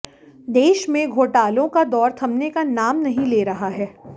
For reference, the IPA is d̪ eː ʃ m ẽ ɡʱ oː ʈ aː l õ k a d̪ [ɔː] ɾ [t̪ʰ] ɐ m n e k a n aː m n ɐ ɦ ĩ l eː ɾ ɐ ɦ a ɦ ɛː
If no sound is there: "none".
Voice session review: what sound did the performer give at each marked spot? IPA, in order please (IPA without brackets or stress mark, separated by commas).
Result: ɔː, t̪ʰ